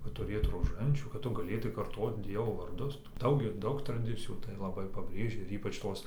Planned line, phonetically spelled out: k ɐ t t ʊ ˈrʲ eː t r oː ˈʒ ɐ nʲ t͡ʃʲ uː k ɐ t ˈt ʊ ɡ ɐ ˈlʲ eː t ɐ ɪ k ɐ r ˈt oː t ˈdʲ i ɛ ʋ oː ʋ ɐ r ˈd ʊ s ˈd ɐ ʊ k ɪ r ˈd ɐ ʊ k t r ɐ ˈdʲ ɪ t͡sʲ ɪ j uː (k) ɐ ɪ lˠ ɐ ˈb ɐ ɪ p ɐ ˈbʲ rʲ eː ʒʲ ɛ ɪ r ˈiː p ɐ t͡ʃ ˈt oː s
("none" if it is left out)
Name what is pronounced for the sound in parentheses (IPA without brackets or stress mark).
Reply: t